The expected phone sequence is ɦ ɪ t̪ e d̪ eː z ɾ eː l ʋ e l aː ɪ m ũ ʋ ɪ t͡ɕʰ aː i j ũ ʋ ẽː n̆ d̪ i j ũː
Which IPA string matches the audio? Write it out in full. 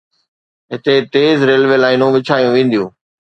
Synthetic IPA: ɦ ɪ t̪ e t̪ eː z ɾ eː l ʋ e l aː ɪ n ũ ʋ ɪ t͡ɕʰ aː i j ũ ʋ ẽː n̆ d̪ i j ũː